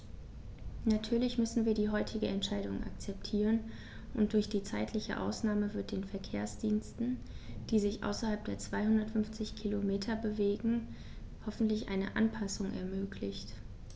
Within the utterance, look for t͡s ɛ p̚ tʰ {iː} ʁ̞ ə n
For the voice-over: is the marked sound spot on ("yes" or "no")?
yes